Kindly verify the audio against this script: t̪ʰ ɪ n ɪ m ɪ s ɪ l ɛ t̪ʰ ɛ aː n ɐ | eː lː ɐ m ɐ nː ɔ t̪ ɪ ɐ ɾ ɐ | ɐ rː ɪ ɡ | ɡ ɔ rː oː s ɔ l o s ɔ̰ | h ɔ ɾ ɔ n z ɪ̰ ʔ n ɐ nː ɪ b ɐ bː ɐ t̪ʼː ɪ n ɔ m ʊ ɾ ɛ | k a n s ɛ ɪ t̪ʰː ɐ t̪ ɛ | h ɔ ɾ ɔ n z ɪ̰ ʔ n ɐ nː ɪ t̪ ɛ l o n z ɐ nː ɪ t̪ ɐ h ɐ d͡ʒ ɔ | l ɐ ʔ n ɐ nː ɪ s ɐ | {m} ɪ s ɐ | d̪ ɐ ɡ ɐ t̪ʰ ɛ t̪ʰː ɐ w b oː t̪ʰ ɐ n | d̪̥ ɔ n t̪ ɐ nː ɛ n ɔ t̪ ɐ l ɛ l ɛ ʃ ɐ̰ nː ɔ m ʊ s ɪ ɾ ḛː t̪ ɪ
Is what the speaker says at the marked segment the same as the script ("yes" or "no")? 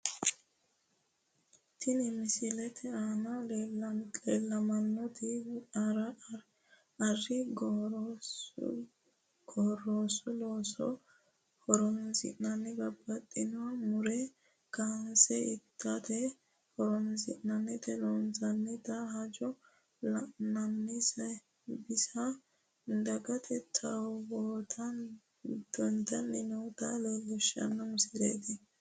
no